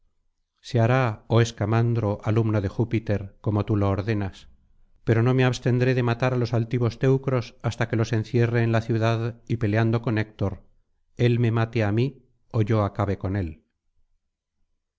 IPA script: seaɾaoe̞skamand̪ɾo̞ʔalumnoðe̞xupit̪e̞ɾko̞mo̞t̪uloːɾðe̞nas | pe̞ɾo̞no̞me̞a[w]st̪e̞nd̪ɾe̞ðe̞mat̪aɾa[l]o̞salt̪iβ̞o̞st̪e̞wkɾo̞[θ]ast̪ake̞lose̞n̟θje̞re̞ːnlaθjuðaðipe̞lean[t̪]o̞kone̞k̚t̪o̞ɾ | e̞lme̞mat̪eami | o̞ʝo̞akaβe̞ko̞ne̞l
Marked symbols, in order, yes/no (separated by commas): no, yes, no, no